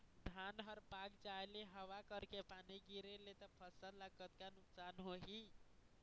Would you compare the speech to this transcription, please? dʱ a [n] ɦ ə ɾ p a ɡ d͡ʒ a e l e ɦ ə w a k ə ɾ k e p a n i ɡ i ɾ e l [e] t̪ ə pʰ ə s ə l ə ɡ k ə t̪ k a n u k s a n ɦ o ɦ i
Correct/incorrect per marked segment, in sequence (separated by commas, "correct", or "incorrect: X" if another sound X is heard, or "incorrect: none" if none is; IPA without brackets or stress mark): correct, correct